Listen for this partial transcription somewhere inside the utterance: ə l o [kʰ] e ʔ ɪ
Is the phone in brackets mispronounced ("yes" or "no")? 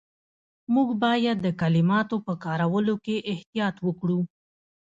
yes